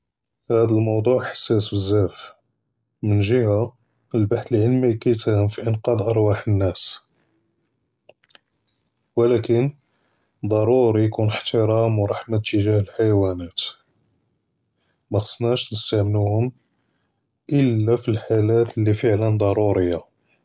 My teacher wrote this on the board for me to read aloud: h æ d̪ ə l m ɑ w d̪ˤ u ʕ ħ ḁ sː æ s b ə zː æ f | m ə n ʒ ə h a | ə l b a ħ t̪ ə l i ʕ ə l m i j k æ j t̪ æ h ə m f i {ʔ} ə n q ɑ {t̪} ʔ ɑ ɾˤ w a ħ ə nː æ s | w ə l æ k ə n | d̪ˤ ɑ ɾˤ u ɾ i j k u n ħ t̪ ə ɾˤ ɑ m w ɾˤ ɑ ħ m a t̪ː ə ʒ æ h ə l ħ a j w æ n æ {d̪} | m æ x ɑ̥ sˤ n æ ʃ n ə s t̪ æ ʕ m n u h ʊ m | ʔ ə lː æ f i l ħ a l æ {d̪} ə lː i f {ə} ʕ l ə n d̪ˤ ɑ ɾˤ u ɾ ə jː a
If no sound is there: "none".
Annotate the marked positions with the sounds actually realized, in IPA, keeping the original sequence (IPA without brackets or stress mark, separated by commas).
ʔ, d̪, t̪, t̪, ə